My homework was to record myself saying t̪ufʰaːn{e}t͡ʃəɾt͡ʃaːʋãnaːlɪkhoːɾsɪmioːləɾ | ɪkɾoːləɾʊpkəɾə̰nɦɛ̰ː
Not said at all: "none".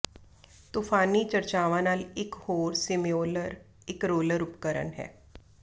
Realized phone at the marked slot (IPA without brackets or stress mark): i